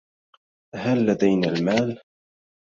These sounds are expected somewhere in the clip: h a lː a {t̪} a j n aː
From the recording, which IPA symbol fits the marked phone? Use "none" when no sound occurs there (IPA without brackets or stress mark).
d̪